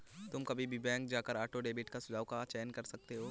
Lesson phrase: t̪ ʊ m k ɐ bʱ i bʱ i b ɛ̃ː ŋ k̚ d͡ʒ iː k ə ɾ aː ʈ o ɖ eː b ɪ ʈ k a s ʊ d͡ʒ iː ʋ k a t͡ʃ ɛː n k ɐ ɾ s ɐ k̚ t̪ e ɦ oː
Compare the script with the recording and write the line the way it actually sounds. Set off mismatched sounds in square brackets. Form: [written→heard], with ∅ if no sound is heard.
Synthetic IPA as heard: t̪ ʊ m k ɐ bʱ i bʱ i b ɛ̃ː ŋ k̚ d͡ʒ [iː→aː] k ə ɾ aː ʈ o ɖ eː b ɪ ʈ k a s ʊ d͡ʒ [iː→aː] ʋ k a t͡ʃ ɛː n k ɐ ɾ s ɐ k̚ t̪ e ɦ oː